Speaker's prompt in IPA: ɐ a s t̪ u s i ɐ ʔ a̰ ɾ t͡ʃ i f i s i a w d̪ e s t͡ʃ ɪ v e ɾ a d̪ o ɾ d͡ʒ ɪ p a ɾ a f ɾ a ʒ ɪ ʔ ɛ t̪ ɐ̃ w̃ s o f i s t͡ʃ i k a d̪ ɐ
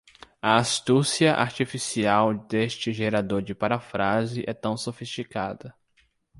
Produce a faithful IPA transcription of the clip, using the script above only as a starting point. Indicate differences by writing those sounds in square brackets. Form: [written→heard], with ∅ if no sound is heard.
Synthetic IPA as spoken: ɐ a s t̪ u s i ɐ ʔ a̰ ɾ t͡ʃ i f i s i a w d̪ e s t͡ʃ ɪ [v→ʒ] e ɾ a d̪ o ɾ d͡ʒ ɪ p a ɾ a f ɾ a [ʒ→z] ɪ ʔ ɛ t̪ ɐ̃ w̃ s o f i s t͡ʃ i k a d̪ ɐ